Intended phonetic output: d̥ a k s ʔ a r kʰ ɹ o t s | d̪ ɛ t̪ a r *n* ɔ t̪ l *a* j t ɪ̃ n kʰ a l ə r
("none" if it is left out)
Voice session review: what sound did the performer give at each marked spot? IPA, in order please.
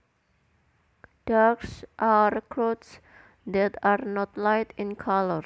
n, a

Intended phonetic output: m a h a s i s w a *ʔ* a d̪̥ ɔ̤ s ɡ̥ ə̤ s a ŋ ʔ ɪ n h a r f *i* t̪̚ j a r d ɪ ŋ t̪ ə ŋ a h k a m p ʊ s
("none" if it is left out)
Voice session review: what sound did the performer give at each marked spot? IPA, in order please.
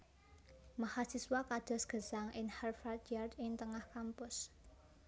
k, a

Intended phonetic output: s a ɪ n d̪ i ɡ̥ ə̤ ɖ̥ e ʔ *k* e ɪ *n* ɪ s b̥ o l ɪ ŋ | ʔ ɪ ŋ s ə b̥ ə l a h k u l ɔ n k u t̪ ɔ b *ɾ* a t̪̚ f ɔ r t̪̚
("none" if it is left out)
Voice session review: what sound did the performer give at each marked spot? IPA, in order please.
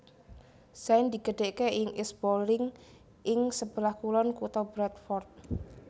k, ŋ, ɾ

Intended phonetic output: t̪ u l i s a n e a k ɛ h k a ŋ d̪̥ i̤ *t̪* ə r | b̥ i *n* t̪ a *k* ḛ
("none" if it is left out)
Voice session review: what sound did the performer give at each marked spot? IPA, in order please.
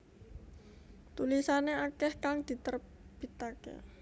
t̪, none, k

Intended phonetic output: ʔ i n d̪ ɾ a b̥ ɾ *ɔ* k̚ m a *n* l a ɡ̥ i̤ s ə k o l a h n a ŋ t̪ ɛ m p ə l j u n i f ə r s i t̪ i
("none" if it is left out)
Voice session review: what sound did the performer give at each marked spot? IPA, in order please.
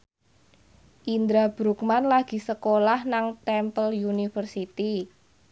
u, n

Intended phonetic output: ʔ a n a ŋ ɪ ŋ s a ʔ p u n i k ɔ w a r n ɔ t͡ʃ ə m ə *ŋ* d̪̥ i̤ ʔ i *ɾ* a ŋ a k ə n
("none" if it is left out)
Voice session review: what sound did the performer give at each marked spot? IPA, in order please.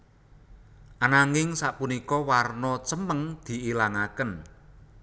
ŋ, l

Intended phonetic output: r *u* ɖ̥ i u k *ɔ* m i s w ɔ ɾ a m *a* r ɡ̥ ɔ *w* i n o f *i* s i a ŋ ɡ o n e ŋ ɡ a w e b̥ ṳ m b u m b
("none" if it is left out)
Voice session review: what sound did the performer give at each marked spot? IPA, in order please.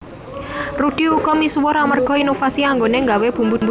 u, ɔ, ə, none, a

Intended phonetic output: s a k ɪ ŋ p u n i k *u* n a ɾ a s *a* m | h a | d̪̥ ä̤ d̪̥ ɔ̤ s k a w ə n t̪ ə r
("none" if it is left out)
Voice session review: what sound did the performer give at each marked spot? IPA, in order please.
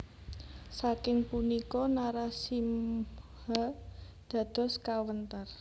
ɔ, i

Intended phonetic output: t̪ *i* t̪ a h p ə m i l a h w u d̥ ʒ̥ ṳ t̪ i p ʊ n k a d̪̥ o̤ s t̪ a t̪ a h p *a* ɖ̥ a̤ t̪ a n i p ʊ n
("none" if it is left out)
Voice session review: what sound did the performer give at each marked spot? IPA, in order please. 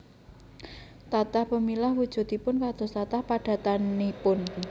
a, a

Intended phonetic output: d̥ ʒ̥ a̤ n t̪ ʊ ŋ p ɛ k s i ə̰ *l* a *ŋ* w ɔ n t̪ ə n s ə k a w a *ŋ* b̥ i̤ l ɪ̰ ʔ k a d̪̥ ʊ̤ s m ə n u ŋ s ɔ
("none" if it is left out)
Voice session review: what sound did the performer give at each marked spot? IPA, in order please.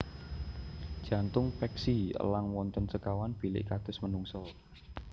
l, ŋ, n

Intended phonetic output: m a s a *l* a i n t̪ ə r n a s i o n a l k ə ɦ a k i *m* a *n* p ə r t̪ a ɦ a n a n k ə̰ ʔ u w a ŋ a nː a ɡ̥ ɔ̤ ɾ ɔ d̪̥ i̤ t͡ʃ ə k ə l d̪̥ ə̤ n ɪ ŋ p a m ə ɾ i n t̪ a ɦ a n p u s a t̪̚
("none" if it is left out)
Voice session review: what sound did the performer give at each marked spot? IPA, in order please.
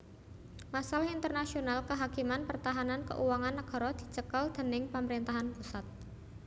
l, m, n

